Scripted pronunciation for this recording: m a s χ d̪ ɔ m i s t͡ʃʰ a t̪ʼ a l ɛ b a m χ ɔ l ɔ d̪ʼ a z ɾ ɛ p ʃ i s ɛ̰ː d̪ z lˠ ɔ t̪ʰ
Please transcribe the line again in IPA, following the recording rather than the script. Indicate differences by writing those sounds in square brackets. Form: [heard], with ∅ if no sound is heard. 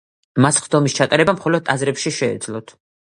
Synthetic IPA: m a s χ d̪ ɔ m i s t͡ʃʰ a t̪ʼ a [ɾ] ɛ b a m χ ɔ l ɔ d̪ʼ a z ɾ ɛ p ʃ i [ʃ] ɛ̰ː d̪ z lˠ ɔ t̪ʰ